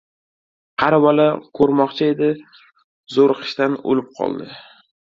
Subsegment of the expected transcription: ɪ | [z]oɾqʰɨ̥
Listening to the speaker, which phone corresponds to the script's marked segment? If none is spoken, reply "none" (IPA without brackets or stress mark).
z